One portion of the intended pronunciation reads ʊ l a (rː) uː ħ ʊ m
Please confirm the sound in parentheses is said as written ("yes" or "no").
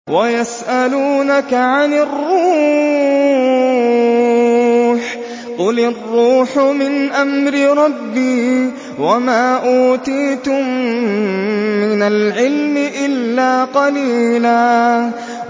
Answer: yes